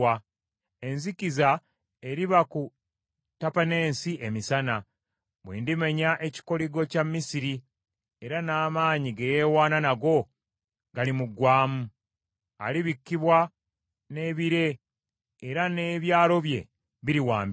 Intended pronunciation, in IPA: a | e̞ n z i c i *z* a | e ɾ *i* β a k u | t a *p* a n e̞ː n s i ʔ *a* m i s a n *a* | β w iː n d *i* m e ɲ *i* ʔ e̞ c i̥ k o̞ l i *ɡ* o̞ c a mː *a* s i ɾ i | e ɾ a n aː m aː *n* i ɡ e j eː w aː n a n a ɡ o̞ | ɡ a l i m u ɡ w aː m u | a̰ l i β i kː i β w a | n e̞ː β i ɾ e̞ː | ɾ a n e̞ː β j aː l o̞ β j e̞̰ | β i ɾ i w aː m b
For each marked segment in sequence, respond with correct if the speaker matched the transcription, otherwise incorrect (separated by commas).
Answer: correct, correct, correct, incorrect, correct, correct, incorrect, correct, incorrect, incorrect